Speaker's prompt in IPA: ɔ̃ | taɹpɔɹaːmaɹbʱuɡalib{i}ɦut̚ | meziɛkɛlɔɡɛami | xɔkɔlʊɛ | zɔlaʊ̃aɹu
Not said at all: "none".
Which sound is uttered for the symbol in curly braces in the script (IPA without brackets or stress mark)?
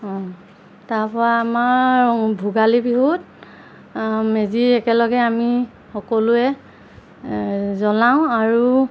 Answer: i